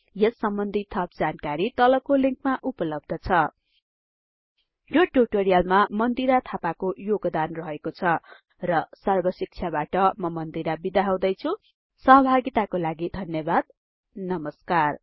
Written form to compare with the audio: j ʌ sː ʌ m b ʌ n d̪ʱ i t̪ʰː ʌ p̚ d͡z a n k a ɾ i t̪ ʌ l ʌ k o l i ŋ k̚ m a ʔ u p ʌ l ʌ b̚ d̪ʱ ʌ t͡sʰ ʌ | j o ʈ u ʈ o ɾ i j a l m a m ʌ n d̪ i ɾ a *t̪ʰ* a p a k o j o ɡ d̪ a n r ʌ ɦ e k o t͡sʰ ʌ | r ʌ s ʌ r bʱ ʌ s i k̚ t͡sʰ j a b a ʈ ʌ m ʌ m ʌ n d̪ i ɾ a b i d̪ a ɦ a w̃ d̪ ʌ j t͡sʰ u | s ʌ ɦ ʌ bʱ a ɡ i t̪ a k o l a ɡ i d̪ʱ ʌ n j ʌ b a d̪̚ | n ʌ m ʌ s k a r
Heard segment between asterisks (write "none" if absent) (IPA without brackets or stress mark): t̪ʰ